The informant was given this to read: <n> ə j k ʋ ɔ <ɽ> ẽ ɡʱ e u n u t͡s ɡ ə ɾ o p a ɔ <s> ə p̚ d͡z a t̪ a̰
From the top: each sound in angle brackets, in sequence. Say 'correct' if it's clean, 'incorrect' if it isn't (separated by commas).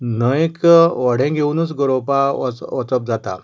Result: correct, correct, incorrect